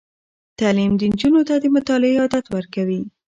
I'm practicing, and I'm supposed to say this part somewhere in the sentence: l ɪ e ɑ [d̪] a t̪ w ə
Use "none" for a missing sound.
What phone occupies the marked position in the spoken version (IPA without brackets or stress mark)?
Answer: d̪